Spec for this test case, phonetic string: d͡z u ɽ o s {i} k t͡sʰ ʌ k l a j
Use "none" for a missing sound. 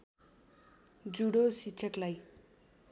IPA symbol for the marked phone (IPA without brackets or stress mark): i